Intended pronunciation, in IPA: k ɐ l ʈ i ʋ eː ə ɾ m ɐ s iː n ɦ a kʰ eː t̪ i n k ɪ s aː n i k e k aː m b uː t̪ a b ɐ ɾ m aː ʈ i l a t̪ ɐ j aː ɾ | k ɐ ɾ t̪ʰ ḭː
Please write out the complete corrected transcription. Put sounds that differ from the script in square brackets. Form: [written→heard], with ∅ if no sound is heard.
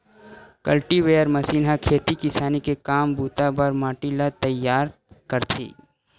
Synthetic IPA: k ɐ l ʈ i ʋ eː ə ɾ m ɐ s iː n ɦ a kʰ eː t̪ i [n→∅] k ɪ s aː n i k e k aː m b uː t̪ a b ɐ ɾ m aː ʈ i l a t̪ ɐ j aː ɾ | k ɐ ɾ t̪ʰ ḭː